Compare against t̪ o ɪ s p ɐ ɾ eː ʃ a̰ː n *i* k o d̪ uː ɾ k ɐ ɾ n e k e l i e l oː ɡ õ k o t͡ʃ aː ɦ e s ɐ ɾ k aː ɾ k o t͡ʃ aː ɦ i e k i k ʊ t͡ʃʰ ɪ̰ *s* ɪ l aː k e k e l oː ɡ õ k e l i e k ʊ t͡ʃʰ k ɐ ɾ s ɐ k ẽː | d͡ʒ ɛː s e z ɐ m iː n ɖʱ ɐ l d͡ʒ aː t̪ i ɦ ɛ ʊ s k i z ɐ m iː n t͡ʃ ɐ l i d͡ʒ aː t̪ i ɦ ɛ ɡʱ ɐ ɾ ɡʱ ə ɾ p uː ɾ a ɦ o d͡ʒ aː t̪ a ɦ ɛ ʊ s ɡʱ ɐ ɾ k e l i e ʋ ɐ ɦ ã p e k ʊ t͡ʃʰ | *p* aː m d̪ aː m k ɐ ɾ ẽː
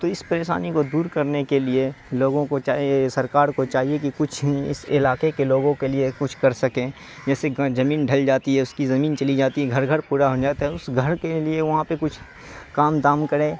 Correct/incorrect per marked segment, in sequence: correct, correct, incorrect: k

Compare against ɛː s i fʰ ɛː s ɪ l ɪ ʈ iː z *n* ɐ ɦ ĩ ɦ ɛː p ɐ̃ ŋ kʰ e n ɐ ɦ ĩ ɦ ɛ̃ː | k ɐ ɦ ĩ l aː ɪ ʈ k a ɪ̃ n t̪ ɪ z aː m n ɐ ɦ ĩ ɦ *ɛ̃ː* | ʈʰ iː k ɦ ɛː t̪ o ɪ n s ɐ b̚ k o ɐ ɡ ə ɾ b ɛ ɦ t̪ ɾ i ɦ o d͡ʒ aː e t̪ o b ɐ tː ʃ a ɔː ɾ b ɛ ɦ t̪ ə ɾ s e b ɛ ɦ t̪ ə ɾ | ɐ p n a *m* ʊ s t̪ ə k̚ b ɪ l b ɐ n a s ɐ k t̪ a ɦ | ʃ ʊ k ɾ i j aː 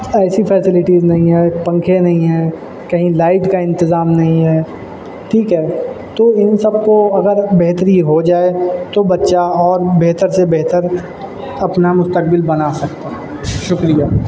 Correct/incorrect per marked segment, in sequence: correct, incorrect: ɛː, correct

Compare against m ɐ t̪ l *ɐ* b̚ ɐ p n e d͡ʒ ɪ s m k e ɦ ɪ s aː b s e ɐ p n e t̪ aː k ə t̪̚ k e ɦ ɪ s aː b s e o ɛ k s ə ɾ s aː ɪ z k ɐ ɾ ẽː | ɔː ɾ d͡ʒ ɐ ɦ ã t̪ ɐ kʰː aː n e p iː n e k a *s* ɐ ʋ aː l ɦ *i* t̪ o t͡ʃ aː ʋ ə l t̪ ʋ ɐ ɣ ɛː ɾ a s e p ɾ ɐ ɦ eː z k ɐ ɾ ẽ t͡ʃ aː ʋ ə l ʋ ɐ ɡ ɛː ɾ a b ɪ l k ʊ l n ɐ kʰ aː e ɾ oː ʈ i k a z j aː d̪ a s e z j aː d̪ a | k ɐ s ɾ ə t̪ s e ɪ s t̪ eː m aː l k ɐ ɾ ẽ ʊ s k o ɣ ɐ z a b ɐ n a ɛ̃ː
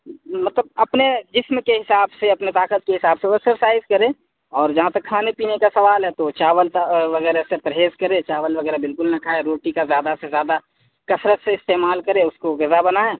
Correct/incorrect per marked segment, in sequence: incorrect: ə, correct, incorrect: ɛ

